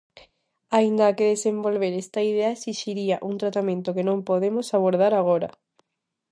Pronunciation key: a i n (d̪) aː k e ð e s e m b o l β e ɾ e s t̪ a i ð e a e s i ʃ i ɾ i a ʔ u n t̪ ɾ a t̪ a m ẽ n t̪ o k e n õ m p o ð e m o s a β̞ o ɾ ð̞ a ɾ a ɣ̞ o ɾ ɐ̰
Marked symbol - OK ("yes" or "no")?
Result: yes